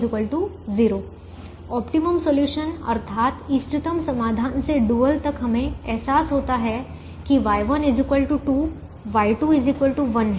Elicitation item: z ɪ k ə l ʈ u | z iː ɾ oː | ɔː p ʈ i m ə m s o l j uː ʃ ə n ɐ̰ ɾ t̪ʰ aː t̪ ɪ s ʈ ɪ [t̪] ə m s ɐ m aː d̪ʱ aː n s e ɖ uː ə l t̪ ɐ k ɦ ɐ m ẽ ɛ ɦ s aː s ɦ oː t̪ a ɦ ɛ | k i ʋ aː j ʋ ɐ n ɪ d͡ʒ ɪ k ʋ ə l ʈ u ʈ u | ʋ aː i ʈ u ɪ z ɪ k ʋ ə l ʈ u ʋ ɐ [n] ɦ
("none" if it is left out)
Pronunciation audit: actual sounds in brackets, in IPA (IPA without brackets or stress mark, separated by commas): t̪, n